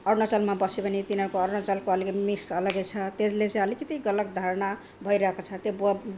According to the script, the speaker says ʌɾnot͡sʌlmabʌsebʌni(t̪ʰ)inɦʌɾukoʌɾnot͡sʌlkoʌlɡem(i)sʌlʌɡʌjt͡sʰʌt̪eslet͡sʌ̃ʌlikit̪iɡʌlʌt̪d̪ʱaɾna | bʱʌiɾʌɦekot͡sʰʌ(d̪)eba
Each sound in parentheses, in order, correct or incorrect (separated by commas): incorrect, correct, incorrect